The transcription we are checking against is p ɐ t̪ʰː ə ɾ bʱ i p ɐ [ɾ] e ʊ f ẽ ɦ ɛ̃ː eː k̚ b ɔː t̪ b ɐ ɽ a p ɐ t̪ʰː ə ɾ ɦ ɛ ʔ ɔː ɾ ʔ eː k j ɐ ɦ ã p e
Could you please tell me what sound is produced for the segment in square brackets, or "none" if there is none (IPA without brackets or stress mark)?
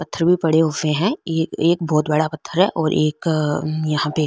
ɽ